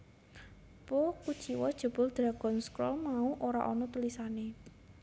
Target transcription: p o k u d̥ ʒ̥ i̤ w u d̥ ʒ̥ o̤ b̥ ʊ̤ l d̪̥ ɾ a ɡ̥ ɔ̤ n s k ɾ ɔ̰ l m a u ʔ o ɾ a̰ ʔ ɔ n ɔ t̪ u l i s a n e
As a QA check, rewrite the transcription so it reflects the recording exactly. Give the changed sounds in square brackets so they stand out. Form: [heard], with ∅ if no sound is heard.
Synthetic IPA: p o k u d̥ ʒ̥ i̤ w [ɔ] d̥ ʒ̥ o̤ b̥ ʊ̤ l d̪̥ ɾ a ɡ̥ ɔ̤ n s k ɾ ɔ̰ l m a u ʔ o ɾ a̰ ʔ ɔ n ɔ t̪ u l i s a n e